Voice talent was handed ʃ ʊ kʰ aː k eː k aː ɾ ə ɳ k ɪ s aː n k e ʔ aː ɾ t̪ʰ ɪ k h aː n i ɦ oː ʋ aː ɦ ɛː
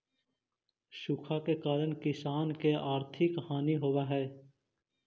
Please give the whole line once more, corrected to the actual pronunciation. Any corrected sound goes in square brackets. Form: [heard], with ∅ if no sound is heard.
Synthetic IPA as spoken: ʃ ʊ kʰ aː k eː k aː ɾ ə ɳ k ɪ s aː n k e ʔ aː ɾ t̪ʰ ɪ k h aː n i ɦ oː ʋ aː ɦ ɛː